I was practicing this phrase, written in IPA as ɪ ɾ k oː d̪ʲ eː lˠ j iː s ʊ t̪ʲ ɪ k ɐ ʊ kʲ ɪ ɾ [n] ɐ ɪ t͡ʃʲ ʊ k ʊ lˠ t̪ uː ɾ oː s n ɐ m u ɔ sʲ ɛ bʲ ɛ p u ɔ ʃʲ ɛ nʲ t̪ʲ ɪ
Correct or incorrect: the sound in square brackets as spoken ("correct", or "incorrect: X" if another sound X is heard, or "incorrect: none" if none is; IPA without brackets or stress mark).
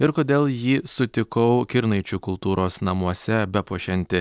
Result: correct